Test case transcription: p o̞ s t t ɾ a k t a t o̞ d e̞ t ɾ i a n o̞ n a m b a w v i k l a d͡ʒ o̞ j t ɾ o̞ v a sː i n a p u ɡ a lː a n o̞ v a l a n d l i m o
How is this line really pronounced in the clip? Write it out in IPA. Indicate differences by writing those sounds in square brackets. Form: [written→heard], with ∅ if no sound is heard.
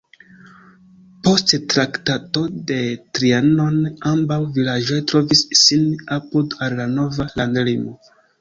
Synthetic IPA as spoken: p o̞ s t t ɾ a k t a t o̞ d e̞ t ɾ i a n o̞ n a m b a w v i [k→∅] l a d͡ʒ o̞ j t ɾ o̞ v [a→i] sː i n a p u [ɡ→d] a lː a n o̞ v a l a n d l i m o